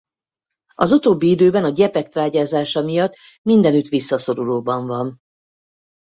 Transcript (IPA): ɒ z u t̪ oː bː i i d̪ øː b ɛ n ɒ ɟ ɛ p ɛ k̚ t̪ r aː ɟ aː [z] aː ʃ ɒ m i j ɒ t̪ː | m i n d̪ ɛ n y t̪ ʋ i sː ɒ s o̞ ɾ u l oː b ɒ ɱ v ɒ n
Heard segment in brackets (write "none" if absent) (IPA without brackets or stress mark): z